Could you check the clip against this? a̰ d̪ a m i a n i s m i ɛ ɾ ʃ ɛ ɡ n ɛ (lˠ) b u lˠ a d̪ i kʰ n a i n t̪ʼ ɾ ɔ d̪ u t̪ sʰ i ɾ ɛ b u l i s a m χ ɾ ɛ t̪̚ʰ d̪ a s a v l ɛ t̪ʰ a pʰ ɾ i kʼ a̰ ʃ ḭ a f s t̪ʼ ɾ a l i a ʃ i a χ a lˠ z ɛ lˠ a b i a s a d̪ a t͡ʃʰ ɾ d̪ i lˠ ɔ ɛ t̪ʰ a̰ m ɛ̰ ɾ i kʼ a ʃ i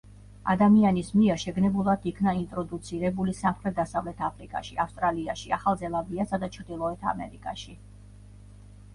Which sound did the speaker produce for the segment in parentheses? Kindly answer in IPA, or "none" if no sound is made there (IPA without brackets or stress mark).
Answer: none